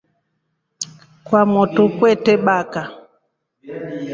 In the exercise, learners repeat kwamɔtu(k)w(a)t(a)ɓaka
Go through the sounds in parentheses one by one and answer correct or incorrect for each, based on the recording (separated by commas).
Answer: correct, incorrect, incorrect